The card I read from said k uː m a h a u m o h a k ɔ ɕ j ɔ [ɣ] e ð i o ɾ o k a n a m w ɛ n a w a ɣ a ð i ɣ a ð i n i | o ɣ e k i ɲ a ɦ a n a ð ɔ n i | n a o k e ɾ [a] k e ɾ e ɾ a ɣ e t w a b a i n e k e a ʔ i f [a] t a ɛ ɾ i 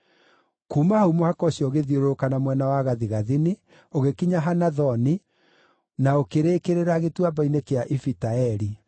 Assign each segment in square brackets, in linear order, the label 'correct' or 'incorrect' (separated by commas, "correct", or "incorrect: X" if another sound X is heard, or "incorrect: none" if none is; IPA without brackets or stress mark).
correct, incorrect: e, incorrect: i